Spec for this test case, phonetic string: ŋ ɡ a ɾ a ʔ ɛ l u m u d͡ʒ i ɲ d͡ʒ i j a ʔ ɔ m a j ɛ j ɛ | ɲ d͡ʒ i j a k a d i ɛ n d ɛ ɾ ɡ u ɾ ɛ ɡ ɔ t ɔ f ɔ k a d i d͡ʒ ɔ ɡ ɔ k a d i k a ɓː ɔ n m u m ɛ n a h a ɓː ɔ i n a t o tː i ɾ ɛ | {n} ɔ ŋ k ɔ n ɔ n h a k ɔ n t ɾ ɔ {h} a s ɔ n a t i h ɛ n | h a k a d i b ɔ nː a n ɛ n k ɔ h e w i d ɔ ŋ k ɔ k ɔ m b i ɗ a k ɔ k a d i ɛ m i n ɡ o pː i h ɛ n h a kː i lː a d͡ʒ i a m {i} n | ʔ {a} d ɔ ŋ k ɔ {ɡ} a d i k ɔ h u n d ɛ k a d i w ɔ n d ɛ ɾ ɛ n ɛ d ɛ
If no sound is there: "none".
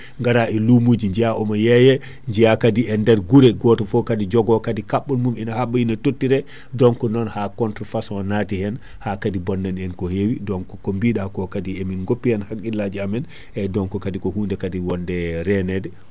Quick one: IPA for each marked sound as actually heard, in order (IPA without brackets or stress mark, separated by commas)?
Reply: d, f, ɛ, ɛ, k